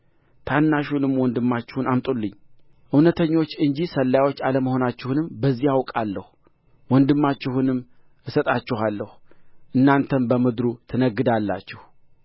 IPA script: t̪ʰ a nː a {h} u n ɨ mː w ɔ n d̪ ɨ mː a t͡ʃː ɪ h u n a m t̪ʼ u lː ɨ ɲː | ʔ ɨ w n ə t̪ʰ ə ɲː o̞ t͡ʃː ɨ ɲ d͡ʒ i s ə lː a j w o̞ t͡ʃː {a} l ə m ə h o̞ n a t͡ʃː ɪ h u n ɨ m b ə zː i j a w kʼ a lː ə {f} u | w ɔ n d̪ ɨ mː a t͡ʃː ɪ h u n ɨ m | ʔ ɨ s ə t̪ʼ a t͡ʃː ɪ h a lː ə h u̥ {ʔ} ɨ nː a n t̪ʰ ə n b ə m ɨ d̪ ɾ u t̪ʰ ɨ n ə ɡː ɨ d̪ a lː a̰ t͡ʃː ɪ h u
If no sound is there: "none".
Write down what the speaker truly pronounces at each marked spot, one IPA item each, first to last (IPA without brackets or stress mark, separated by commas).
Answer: ʃ, a, h, ʔ